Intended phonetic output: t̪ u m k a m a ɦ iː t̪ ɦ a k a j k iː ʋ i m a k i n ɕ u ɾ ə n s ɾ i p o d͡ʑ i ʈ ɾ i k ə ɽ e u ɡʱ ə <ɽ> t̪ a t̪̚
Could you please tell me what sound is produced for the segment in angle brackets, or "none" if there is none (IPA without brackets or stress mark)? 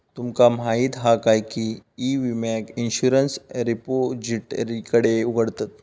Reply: ɽ